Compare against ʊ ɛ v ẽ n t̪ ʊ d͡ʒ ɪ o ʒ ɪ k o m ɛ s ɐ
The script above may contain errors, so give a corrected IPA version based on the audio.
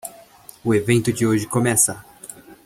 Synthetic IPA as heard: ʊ e v ẽ n t̪ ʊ d͡ʒ ɪ o ʒ ɪ k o m ɛ s ɐ